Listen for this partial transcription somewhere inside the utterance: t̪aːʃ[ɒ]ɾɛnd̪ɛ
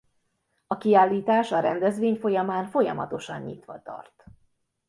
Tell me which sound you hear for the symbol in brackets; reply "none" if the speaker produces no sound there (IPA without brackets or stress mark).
ɒ